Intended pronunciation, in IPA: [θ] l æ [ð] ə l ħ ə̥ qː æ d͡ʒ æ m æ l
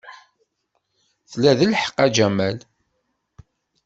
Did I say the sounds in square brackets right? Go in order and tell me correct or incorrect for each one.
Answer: correct, correct

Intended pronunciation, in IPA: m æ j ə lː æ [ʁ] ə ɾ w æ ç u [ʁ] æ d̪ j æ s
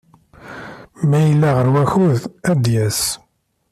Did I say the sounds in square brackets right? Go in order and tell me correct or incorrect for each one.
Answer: correct, incorrect: ð

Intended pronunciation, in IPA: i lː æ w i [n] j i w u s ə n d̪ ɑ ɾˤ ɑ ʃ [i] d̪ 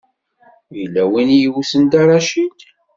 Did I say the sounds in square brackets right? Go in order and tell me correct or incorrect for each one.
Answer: correct, correct

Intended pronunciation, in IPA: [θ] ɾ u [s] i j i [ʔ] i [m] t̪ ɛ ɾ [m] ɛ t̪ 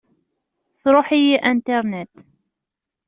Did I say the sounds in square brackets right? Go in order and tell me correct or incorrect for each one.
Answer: correct, incorrect: ħ, correct, incorrect: n, incorrect: n

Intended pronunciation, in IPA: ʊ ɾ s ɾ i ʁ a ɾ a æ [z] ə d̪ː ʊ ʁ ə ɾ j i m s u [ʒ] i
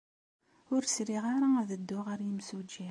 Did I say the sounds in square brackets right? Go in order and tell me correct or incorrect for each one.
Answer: incorrect: ð, incorrect: d͡ʒ

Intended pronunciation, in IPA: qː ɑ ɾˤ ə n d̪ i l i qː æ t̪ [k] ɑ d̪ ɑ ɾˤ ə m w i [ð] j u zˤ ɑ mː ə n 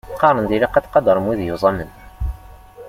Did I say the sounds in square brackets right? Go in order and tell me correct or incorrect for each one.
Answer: incorrect: q, correct

